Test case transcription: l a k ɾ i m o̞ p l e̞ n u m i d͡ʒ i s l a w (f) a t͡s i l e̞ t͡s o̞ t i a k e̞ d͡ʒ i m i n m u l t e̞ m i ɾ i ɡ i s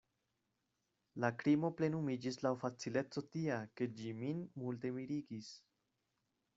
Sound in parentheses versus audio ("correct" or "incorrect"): correct